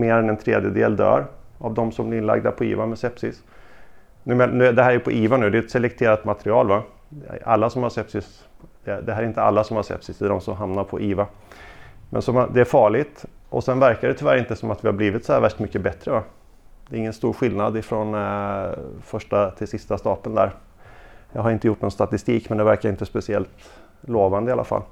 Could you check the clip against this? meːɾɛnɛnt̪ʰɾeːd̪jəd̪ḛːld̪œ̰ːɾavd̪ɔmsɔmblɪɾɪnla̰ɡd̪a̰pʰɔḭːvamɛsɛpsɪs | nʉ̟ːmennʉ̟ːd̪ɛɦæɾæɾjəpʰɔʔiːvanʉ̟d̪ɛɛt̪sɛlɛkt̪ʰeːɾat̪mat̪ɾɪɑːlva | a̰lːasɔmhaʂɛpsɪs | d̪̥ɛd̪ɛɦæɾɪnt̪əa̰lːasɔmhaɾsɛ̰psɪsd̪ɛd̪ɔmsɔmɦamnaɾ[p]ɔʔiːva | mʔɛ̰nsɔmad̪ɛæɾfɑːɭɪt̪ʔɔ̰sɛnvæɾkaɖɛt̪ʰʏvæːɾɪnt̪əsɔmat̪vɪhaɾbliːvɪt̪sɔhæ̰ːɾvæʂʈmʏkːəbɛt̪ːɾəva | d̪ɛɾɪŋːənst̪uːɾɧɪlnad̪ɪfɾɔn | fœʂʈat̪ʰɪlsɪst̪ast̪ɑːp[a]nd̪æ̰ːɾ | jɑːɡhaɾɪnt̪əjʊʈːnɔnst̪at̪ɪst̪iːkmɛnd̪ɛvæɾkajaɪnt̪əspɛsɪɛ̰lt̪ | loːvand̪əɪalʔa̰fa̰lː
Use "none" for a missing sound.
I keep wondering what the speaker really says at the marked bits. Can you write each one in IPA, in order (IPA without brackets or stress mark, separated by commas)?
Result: pʰ, ə